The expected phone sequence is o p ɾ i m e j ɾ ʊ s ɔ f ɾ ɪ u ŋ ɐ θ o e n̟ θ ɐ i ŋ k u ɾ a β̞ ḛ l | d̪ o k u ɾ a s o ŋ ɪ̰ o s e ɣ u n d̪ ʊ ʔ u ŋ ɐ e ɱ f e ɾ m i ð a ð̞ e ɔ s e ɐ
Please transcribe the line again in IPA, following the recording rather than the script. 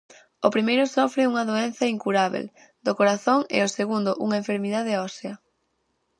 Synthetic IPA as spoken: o p ɾ i m e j ɾ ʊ s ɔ f ɾ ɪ u ŋ ɐ ð o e n̟ θ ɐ i ŋ k u ɾ a β̞ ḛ l | d̪ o k o ɾ a θ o ŋ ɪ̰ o s e ɣ u n d̪ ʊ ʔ u ŋ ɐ e ɱ f e ɾ m i ð a ð̞ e ɔ s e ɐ